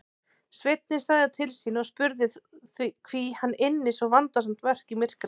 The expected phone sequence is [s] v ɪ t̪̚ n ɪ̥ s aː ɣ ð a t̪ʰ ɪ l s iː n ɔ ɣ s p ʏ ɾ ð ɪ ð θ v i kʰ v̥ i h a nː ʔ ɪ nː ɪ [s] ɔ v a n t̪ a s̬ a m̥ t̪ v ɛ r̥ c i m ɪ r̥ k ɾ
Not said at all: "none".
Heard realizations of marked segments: s, s

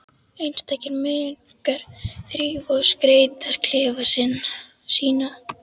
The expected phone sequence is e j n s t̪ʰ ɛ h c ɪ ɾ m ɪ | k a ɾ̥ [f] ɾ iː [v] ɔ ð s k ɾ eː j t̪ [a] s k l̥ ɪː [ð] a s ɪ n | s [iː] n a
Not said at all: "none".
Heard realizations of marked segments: θ, v, a, v, iː

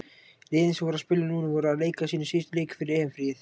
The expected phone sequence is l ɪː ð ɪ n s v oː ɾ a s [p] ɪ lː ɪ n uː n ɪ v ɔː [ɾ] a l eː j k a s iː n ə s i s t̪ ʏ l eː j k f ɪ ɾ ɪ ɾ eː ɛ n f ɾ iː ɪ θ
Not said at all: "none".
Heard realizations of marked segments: p, ɾ

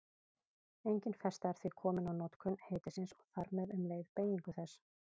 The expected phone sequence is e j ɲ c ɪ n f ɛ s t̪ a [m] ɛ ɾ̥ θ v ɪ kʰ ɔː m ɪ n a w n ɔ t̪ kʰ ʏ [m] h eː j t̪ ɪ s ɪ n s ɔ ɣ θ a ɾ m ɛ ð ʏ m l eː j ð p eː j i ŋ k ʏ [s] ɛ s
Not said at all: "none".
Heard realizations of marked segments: none, n, θ

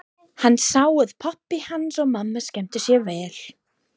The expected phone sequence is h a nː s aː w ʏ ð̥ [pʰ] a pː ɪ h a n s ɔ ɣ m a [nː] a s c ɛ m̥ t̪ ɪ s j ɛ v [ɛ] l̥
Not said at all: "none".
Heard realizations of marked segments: pʰ, mː, ɛː

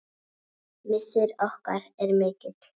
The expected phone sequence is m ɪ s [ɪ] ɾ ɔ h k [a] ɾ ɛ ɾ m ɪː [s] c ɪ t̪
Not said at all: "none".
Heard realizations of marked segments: ɪ, a, none

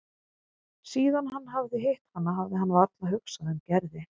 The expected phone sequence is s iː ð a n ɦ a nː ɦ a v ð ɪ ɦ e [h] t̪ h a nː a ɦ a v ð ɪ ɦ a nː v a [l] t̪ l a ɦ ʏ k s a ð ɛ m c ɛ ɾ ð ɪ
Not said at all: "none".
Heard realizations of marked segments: h, ɾ

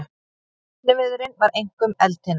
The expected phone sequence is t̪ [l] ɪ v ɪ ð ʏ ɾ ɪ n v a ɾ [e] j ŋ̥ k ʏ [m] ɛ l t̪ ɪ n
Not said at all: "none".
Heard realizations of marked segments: l, e, m

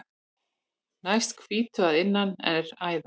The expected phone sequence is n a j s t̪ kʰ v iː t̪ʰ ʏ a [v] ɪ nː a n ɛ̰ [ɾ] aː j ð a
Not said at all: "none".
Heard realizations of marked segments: ð, ɾ

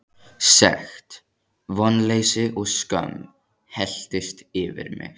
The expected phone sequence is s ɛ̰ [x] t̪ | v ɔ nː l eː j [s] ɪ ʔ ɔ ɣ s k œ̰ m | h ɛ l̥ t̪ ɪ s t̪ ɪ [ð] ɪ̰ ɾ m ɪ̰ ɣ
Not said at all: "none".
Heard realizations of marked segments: x, s, v

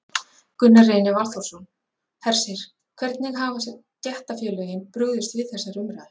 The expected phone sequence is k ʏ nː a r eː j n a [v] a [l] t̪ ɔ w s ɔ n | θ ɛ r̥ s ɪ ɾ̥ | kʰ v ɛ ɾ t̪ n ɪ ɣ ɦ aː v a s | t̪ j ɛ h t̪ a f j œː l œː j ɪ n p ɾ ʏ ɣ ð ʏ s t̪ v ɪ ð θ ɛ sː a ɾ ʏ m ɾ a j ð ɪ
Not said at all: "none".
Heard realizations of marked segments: v, l

